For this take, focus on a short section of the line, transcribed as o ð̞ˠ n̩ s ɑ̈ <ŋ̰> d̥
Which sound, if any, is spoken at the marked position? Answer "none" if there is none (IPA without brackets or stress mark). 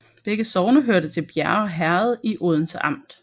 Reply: m̰